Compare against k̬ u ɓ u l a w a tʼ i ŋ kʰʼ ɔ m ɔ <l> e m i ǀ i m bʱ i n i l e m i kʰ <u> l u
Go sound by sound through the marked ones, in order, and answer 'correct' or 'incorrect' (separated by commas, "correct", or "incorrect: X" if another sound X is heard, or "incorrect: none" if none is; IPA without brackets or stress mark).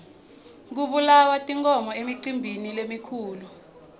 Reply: incorrect: none, incorrect: uː